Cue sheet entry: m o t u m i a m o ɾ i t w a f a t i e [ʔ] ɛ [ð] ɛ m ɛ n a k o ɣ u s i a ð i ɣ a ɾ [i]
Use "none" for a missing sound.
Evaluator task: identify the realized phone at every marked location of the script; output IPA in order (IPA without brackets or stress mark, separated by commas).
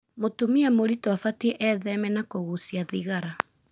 ʔ, ð, a